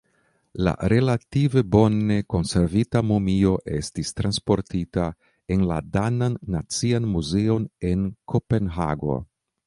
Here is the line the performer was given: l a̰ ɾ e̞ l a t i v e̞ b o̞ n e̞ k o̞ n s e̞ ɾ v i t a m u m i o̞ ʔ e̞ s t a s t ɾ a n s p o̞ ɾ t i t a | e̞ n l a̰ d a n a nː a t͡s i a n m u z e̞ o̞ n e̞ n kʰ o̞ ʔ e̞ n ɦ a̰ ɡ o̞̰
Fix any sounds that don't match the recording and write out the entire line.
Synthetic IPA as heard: l a̰ ɾ e̞ l a t i v e̞ b o̞ n e̞ k o̞ n s e̞ ɾ v i t a m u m i o̞ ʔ e̞ s t i s t ɾ a n s p o̞ ɾ t i t a | e̞ n l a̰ d a n a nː a t͡s i a n m u z e̞ o̞ n e̞ n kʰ o̞ p e̞ n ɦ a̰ ɡ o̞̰